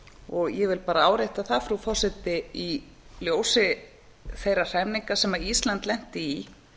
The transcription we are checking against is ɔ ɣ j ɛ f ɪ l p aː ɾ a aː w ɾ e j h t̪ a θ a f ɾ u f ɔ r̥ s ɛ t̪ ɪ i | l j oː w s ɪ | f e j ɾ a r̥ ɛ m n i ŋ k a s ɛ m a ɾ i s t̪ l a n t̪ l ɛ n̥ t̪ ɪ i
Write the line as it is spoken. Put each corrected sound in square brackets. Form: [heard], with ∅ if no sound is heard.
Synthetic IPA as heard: ɔ ɣ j ɛ [v] ɪ l p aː ɾ a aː w ɾ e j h t̪ a θ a f ɾ u f ɔ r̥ s ɛ t̪ ɪ i | l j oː w s ɪ | [θ] e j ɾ a r̥ ɛ m n i ŋ k a s ɛ m a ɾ i s t̪ l a n t̪ l ɛ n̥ t̪ ɪ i